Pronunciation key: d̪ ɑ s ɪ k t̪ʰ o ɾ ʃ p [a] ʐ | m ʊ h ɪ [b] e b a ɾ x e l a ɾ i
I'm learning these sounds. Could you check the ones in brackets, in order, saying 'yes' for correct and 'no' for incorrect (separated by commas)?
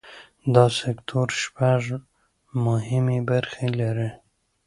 yes, no